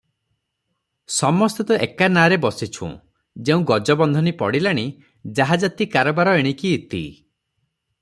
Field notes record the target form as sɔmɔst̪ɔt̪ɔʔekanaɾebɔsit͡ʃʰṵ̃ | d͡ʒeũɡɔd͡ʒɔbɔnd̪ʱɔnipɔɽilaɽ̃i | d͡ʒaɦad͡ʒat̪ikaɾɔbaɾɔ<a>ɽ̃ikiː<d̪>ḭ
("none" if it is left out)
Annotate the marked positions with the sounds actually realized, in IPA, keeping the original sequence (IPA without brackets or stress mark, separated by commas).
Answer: e, t̪